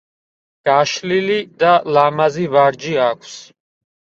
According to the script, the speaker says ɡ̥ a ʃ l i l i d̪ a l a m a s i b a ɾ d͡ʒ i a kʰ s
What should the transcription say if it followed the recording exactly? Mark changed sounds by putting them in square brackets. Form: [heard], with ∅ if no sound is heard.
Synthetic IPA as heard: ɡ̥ a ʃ l i l i d̪ a l a m a [z] i [v] a ɾ d͡ʒ i a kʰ s